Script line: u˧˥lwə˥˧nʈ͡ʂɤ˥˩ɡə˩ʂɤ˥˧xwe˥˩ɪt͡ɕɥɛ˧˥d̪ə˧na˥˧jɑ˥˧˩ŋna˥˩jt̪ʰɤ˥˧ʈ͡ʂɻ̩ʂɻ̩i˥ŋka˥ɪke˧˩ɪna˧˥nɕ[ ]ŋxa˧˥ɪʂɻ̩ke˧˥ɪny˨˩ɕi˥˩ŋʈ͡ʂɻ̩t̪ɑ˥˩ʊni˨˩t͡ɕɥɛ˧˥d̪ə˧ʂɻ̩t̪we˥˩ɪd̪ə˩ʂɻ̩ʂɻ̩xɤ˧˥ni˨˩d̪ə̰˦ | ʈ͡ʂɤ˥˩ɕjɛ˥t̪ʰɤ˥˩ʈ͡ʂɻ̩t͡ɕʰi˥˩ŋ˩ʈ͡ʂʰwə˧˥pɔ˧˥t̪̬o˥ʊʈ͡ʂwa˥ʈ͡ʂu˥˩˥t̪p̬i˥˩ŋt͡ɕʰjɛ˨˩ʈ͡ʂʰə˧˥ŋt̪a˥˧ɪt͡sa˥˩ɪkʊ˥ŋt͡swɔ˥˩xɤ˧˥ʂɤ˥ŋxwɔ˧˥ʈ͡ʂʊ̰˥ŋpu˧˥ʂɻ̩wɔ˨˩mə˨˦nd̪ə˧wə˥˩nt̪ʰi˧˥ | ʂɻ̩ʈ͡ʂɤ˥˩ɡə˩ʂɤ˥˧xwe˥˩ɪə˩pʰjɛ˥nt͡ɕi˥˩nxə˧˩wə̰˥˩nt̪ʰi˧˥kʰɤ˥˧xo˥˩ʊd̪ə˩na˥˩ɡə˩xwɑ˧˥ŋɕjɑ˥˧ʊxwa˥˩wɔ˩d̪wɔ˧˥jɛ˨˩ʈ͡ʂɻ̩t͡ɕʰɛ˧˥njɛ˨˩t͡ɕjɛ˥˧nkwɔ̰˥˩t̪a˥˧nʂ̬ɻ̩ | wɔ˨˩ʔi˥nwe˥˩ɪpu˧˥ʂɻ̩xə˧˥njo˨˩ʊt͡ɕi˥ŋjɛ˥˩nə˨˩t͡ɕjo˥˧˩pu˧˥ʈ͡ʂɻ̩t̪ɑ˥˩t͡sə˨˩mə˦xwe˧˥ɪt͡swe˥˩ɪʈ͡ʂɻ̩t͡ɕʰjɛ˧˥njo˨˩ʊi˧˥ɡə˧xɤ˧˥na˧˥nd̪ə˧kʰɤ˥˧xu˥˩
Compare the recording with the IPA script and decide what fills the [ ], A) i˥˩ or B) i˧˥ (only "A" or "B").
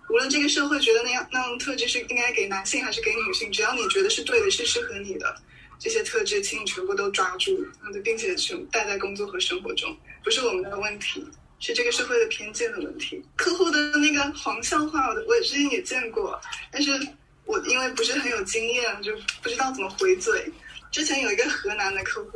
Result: A